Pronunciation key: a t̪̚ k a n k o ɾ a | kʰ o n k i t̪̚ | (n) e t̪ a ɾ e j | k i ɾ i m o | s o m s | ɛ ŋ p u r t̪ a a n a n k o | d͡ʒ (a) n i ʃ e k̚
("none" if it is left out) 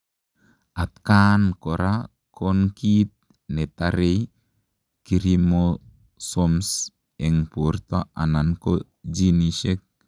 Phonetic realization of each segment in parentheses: n, i

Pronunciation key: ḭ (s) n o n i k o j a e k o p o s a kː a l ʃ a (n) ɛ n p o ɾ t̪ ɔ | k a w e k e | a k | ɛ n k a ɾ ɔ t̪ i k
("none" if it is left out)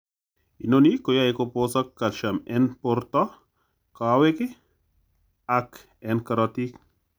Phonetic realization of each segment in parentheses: none, m

